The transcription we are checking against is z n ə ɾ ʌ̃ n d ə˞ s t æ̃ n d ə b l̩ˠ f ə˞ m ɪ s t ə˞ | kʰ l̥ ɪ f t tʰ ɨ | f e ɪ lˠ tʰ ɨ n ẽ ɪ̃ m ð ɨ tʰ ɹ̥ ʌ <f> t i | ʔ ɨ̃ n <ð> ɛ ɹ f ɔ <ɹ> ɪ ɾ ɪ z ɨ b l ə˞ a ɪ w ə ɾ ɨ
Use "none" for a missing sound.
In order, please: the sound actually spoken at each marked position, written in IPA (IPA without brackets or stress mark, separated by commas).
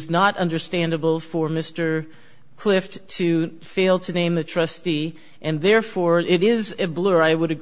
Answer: s, ð, ɹ